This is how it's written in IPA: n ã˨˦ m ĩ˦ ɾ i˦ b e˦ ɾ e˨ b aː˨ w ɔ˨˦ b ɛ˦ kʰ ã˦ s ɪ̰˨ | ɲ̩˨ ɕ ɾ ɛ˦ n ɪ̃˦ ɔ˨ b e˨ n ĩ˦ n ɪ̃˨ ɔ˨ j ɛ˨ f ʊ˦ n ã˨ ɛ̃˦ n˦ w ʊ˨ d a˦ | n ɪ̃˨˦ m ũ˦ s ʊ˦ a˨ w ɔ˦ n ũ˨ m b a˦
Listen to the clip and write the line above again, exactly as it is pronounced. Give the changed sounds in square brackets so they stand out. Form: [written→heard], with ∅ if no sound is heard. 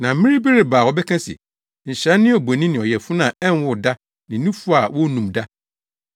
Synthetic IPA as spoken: n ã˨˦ m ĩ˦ ɾ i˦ b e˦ ɾ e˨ b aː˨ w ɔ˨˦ b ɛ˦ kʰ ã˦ s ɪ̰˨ | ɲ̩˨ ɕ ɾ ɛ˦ n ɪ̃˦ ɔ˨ b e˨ n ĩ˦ n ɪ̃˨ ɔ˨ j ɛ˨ f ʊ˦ n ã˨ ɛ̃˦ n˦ w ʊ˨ d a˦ | n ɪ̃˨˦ [m→n] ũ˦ [s→f] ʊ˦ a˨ w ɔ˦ n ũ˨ m [b→d] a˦